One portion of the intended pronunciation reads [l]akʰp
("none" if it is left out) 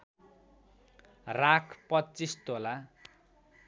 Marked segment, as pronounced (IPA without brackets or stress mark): r